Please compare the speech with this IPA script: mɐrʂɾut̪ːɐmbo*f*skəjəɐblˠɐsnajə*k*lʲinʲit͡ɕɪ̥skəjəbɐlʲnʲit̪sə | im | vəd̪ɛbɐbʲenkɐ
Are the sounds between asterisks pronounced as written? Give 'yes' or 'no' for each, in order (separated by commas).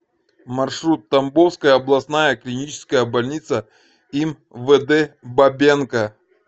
yes, yes